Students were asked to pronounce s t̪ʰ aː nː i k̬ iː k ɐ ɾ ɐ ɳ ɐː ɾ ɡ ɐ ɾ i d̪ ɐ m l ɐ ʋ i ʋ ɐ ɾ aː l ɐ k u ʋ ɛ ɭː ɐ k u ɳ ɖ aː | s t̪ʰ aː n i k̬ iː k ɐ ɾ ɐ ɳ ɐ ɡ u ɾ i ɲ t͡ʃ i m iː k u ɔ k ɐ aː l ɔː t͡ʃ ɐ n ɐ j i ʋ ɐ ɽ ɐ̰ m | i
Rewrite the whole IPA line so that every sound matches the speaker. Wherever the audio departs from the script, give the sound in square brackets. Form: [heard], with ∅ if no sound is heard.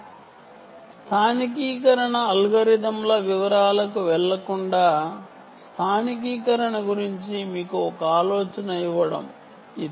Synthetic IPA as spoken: s t̪ʰ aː [n] i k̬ iː k ɐ ɾ ɐ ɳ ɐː [l] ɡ ɐ ɾ i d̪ ɐ m l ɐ ʋ i ʋ ɐ ɾ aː l ɐ k u ʋ ɛ ɭː ɐ k u ɳ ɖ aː | s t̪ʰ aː n i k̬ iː k ɐ ɾ ɐ ɳ ɐ ɡ u ɾ i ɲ t͡ʃ i m iː k u ɔ k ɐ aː l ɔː t͡ʃ ɐ n ɐ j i ʋ ɐ ɽ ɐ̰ m | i